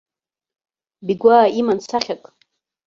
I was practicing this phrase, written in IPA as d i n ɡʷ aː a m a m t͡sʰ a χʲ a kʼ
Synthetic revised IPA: b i ɡʷ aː i m a n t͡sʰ a χʲ a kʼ